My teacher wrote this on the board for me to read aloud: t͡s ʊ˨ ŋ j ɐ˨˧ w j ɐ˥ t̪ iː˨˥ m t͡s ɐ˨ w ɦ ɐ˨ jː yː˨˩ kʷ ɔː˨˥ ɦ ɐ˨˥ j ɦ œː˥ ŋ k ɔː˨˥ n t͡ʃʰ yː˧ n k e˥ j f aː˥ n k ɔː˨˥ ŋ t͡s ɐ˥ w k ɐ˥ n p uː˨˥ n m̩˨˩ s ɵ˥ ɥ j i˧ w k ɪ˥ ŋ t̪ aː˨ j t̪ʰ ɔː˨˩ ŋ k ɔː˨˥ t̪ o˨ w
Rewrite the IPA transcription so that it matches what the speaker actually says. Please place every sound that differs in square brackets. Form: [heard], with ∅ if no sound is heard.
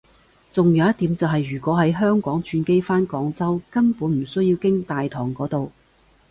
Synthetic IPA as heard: t͡s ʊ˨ ŋ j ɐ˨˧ w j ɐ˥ t̪ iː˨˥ m t͡s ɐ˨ w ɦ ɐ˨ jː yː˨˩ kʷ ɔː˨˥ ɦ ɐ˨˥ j ɦ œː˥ ŋ k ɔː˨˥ [ŋ] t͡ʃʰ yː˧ n k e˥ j f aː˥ n k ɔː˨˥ ŋ t͡s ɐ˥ w k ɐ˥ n p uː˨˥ n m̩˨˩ s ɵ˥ ɥ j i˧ w k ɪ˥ ŋ t̪ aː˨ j t̪ʰ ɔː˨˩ ŋ k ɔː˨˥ t̪ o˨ w